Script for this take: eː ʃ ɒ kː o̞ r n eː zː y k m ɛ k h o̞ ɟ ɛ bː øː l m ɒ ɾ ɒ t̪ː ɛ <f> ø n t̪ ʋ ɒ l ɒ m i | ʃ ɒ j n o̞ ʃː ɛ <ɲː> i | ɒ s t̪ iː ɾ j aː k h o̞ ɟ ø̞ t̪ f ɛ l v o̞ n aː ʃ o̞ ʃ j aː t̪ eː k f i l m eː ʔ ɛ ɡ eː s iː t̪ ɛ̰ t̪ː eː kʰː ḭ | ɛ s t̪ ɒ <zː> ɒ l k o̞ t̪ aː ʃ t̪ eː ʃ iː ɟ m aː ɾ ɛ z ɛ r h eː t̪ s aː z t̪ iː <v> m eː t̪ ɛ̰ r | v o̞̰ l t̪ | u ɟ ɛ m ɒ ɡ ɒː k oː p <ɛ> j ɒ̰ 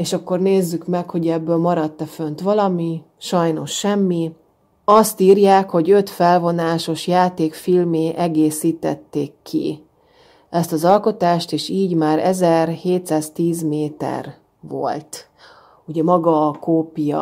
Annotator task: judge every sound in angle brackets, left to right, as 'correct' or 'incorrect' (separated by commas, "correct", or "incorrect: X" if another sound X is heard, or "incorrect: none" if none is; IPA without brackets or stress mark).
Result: correct, incorrect: mː, incorrect: z, incorrect: z, incorrect: i